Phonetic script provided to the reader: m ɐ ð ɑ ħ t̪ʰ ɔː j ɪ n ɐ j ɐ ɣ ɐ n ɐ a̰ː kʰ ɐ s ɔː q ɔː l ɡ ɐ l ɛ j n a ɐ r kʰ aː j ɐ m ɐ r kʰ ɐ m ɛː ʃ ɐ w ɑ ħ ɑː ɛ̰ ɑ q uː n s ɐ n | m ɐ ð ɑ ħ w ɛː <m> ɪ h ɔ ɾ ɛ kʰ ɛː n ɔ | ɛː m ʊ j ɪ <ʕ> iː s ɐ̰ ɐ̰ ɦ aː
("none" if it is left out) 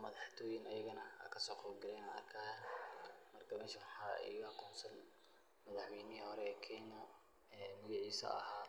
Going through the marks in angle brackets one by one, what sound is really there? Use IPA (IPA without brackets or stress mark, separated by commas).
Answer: n, ʕ